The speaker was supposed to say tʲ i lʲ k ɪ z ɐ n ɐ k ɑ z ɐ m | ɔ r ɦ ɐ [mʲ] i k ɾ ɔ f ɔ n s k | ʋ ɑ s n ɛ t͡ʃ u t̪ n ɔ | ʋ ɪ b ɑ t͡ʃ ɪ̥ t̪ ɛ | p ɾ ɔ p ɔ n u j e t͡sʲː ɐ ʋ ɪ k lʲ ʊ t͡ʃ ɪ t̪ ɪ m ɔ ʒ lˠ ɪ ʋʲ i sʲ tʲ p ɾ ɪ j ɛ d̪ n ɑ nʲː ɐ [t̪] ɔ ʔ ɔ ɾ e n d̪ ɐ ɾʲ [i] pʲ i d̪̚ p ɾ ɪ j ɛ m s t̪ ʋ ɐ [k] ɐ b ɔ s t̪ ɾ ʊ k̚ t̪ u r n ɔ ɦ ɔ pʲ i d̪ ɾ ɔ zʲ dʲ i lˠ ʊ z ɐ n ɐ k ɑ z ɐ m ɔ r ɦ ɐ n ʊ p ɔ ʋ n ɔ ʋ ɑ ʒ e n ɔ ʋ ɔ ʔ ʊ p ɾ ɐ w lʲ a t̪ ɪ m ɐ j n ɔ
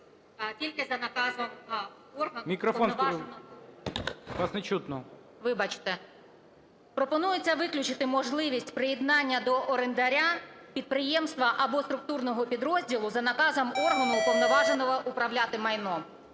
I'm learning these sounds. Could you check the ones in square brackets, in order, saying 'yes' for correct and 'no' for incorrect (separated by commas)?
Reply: yes, no, no, no